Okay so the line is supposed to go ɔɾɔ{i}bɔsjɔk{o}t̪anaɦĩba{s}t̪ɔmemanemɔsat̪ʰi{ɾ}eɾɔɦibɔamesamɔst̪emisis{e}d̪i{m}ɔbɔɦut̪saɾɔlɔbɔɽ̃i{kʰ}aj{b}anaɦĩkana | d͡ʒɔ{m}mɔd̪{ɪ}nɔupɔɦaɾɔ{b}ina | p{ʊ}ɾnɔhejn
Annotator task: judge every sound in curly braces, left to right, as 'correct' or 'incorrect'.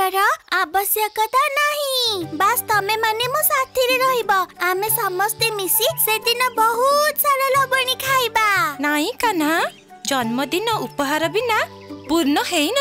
incorrect, incorrect, correct, correct, correct, incorrect, correct, correct, incorrect, incorrect, correct, incorrect

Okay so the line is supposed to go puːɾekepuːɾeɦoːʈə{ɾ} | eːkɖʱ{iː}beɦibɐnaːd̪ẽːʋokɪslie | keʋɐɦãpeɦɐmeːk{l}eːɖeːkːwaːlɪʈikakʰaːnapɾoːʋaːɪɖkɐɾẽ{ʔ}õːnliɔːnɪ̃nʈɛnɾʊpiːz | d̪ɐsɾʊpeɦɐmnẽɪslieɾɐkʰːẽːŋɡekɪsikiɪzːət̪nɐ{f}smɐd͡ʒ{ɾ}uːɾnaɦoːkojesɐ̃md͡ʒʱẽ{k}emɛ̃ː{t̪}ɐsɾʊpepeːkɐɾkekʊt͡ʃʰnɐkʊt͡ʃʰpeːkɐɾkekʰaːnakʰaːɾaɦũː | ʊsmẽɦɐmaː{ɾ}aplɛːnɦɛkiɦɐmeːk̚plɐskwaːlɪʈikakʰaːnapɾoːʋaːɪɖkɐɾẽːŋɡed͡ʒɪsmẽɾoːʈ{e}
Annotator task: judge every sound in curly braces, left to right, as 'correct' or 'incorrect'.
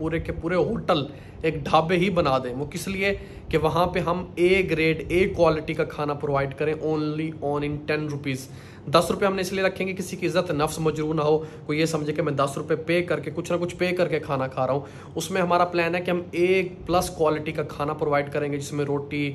incorrect, incorrect, incorrect, correct, correct, correct, correct, incorrect, correct, incorrect

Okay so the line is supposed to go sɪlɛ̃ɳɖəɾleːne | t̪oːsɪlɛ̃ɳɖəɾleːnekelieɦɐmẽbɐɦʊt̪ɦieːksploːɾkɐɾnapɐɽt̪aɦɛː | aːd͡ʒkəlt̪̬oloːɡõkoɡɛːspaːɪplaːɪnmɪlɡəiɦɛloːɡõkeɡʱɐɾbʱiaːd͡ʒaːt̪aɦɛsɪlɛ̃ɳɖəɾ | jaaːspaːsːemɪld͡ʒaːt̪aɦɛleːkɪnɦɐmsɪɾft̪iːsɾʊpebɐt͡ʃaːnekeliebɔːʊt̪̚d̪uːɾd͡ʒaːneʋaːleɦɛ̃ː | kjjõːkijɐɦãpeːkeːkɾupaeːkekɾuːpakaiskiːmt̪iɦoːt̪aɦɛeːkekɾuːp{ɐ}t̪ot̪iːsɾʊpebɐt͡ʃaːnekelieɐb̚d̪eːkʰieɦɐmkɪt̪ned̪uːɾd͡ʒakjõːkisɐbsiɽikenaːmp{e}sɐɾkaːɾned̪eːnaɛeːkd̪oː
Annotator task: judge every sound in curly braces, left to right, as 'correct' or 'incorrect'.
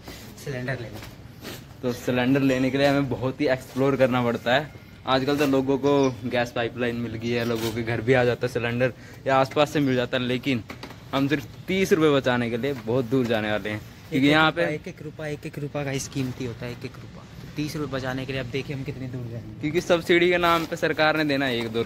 incorrect, correct

